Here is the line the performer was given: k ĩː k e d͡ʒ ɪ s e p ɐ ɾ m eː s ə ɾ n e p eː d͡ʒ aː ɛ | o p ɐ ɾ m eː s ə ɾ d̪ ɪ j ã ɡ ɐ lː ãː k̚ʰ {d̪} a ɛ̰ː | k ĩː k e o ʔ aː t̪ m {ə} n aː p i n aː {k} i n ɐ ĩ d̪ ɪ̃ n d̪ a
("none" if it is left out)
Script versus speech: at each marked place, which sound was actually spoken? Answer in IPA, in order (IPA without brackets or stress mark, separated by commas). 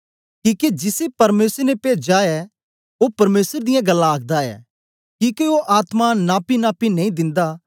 d̪, a, p